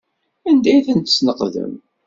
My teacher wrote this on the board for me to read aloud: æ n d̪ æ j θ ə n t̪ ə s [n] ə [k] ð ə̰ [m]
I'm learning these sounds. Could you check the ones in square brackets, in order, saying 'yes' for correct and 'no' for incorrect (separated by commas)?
yes, no, yes